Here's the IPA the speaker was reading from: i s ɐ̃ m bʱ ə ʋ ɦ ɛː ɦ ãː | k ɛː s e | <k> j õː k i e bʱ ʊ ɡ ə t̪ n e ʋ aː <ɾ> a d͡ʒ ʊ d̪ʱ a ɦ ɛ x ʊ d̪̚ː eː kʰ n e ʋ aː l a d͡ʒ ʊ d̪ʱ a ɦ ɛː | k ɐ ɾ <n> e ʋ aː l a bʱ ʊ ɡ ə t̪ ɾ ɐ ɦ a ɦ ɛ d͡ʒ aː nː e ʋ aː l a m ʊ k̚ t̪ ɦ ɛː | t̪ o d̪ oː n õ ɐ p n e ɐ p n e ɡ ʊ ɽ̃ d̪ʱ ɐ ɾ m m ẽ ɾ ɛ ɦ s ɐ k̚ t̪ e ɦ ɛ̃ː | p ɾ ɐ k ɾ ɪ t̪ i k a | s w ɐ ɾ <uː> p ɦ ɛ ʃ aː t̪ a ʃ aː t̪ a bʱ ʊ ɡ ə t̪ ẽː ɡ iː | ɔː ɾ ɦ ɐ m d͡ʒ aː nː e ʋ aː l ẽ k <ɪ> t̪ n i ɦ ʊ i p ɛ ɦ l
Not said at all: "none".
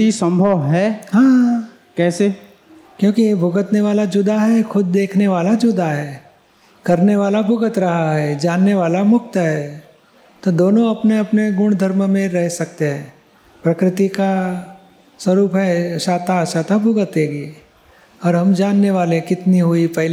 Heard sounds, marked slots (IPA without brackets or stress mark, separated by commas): k, l, n, uː, ɪ